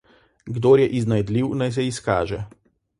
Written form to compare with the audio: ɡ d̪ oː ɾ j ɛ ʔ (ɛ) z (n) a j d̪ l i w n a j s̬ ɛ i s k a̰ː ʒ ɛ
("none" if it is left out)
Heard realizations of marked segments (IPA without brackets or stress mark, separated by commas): i, n